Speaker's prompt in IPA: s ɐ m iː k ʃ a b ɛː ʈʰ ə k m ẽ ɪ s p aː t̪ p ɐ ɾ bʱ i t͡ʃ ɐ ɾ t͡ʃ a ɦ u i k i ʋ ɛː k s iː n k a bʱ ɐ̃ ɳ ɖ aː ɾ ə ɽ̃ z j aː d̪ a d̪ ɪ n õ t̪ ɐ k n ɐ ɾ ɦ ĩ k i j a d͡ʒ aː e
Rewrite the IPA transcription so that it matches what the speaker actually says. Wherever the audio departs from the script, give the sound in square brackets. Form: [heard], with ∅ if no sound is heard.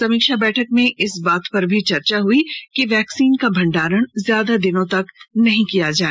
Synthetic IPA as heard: s ɐ m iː k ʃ a b ɛː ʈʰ ə k m ẽ ɪ s [b] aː t̪ p ɐ ɾ bʱ i t͡ʃ ɐ ɾ t͡ʃ a ɦ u i k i ʋ ɛː k s iː n k a bʱ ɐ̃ ɳ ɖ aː ɾ ə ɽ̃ z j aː d̪ a d̪ ɪ n õ t̪ ɐ k n ɐ [∅] ɦ ĩ k i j a d͡ʒ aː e